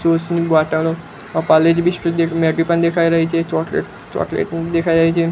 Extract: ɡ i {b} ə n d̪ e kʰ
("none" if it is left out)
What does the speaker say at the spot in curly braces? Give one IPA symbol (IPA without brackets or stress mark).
p